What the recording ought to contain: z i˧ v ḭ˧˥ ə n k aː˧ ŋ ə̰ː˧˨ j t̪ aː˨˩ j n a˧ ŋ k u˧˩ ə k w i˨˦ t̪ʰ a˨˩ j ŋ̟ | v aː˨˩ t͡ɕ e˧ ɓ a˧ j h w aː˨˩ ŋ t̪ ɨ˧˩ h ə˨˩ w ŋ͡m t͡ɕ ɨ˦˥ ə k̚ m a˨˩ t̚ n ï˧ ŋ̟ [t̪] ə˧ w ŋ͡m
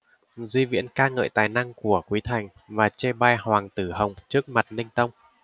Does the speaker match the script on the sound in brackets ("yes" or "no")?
yes